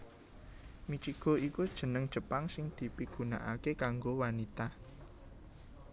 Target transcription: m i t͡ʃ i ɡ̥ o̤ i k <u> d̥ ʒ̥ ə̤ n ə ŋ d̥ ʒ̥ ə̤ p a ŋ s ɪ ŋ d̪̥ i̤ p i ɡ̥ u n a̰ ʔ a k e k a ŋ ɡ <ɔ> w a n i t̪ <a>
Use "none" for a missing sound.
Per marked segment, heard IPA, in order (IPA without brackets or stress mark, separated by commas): u, o, a